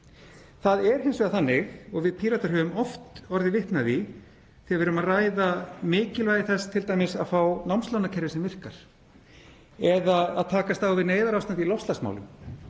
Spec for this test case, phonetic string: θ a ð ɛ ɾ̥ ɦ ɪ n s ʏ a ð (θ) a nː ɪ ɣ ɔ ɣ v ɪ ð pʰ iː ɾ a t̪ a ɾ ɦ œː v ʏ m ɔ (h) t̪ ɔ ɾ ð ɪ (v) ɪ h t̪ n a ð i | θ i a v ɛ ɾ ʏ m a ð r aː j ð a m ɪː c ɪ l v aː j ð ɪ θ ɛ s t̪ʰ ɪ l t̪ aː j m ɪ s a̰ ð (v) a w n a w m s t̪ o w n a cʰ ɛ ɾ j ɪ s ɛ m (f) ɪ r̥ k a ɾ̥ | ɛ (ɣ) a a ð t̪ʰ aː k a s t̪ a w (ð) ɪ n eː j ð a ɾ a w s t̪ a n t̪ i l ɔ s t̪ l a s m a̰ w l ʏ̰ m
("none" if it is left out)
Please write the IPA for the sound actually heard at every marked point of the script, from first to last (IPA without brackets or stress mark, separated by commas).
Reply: θ, f, v, f, v, ð, v